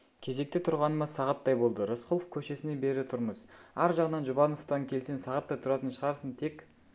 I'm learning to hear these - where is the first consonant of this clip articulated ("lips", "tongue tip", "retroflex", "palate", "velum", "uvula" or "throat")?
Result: velum